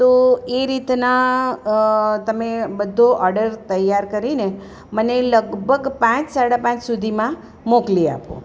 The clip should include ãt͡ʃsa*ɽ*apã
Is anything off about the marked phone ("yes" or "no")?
no